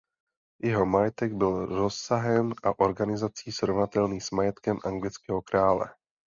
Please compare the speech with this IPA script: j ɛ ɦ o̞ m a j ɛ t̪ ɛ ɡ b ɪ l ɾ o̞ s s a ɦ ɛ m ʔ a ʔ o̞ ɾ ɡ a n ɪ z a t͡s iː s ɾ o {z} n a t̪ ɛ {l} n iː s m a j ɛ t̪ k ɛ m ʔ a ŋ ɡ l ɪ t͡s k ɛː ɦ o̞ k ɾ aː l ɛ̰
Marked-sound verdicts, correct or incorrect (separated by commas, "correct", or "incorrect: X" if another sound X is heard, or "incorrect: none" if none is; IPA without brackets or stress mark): incorrect: v, correct